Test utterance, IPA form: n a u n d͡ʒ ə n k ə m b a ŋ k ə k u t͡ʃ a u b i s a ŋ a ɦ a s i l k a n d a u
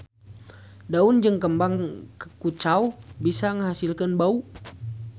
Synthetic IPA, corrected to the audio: d a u n d͡ʒ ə ŋ k ə m b a ŋ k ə k u t͡ʃ a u b i s a ŋ ə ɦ a s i l k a n b a u